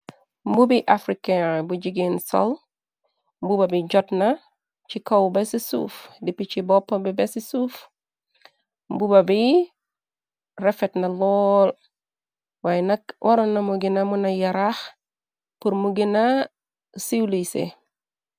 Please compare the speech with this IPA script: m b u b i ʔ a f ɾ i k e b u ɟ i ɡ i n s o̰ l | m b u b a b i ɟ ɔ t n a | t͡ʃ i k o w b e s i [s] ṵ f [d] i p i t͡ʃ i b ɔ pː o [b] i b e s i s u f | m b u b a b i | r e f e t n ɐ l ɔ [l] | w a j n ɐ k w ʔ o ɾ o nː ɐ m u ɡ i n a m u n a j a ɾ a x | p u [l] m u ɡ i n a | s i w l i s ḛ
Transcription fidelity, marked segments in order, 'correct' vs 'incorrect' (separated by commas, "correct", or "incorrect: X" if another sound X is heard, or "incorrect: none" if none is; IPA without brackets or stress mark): correct, correct, correct, correct, incorrect: ɾ